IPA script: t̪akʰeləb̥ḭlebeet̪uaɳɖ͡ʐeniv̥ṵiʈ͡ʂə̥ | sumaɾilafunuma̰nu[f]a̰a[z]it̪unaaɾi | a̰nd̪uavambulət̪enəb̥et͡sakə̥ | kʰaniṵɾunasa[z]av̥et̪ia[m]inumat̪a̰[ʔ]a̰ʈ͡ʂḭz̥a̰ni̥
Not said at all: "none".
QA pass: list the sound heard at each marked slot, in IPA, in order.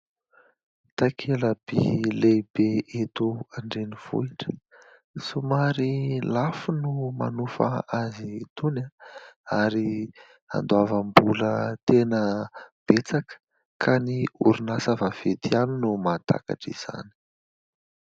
f, z, v, n, k

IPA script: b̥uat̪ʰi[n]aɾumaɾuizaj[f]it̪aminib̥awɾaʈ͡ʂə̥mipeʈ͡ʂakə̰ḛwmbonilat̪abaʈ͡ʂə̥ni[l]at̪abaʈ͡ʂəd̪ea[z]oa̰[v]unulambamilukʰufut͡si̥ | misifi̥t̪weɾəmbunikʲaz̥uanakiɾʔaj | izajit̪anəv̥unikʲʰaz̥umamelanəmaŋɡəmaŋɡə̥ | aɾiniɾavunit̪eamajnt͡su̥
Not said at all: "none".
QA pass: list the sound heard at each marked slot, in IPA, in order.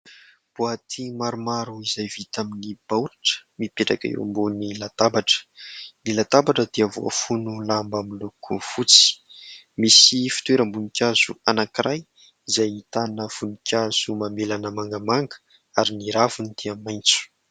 m, v, l, v, f

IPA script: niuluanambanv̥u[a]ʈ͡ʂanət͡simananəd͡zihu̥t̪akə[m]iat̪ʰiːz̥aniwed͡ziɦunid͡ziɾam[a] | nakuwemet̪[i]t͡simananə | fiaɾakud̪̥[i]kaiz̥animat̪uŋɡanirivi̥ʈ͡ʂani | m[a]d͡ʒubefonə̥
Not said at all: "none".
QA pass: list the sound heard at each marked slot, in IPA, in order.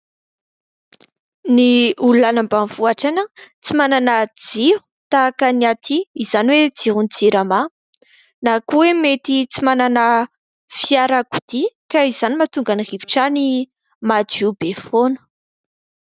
a, n, a, i, i, a

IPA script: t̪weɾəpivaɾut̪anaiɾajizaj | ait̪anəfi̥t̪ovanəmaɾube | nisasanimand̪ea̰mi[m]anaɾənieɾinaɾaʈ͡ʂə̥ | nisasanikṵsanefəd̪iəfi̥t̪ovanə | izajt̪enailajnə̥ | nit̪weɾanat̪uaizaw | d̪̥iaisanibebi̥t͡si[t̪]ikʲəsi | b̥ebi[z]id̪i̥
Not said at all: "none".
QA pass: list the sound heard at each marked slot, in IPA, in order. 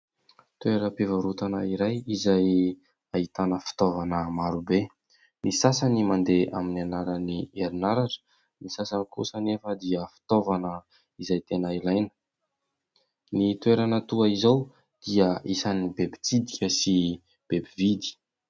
n, d̪, v

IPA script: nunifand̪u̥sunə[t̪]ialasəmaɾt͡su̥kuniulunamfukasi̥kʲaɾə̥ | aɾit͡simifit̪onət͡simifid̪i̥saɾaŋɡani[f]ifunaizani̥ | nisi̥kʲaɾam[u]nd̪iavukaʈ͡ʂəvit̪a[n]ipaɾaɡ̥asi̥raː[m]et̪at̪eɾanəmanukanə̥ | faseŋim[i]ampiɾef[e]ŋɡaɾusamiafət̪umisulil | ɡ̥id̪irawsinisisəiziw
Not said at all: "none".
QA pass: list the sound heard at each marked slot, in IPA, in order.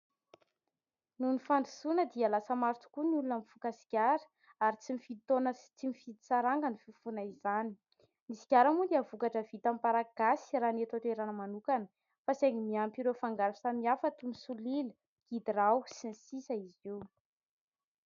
d̪, f, u, m, n, i, a

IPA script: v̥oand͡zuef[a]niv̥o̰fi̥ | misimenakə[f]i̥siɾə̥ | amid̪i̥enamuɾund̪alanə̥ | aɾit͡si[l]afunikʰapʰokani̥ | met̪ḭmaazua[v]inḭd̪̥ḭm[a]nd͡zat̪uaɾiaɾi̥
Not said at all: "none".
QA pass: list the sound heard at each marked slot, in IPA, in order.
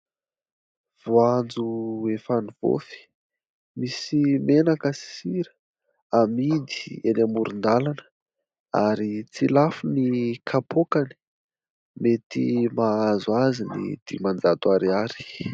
a, s, l, z, a

